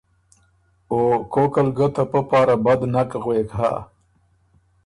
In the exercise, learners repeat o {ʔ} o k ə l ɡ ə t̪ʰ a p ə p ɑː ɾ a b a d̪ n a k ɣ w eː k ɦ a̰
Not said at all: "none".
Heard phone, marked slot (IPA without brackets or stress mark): k